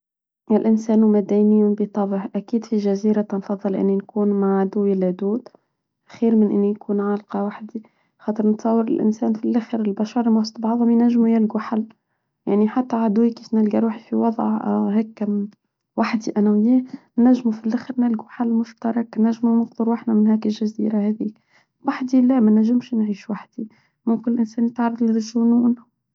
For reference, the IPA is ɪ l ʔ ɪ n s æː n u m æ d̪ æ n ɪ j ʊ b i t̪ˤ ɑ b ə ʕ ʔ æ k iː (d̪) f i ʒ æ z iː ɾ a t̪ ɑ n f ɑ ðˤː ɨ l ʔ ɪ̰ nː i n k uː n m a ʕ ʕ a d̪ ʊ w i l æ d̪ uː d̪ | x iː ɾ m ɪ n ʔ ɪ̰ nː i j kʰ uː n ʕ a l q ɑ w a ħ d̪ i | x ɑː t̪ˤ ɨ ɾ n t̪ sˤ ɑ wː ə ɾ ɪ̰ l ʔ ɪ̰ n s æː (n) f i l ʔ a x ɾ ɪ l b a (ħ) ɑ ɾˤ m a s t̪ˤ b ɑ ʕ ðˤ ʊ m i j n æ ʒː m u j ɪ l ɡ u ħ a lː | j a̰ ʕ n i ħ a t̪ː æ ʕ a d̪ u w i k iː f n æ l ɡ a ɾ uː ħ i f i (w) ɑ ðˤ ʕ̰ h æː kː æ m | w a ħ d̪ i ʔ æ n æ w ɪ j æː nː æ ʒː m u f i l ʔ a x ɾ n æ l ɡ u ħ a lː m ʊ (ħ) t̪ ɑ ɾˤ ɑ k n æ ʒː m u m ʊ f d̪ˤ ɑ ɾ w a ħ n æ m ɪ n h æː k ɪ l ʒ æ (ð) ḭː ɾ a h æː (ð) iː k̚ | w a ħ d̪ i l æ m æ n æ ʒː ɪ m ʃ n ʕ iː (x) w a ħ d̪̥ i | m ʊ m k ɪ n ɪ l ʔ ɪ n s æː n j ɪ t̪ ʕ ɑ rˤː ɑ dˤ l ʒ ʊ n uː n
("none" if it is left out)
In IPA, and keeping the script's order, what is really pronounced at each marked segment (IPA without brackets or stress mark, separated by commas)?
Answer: d̪, n, ʃ, w, ʃ, z, ð, ʃ